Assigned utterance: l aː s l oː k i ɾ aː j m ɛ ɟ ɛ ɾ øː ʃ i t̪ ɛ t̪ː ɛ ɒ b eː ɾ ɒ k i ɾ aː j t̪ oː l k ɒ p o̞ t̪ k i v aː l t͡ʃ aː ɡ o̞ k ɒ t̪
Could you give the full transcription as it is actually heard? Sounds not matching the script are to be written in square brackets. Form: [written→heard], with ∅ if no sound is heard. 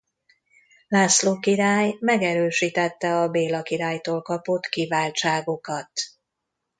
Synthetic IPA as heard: l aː s l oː k i ɾ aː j m ɛ [ɟ→ɡ] ɛ ɾ øː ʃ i t̪ ɛ t̪ː ɛ ɒ b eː [ɾ→l] ɒ k i ɾ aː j t̪ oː l k ɒ p o̞ t̪ k i v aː l t͡ʃ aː ɡ o̞ k ɒ t̪

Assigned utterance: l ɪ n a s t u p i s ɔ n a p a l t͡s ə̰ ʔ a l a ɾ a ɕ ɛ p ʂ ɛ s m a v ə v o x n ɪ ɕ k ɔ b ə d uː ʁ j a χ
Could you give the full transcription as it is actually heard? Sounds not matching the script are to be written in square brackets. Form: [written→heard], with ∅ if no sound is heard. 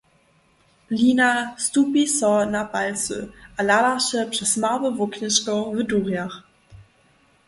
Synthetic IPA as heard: l [ɪ→i] n a s t u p i s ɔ n a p a l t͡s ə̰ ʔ a l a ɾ a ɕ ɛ p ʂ ɛ s m a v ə v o [x→k] n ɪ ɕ k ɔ [b→v] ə d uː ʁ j a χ

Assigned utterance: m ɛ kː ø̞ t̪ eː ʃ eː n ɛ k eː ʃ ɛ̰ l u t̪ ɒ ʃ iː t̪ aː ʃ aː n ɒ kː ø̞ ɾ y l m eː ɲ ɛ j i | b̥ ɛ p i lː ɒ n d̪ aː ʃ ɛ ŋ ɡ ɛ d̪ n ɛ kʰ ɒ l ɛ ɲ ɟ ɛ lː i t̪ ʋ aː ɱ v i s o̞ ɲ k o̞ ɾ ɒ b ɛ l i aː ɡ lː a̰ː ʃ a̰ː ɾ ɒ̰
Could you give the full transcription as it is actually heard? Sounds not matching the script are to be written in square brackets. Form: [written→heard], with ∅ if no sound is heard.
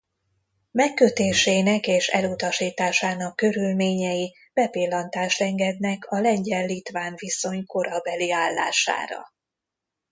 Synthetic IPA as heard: m ɛ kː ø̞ t̪ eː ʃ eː n ɛ k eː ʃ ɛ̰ l u t̪ ɒ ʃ iː t̪ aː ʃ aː n ɒ kː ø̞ ɾ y l m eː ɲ ɛ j i | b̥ ɛ p i lː ɒ n [d̪→t̪] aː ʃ ɛ ŋ ɡ ɛ d̪ n ɛ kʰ ɒ l ɛ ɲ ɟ ɛ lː i t̪ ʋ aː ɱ v i s o̞ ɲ k o̞ ɾ ɒ b ɛ l i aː [ɡ→∅] lː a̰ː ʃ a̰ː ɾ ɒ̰

